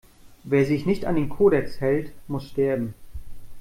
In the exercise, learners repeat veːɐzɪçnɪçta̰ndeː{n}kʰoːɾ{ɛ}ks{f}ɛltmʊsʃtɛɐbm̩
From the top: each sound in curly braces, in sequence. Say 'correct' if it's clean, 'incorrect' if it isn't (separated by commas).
correct, correct, incorrect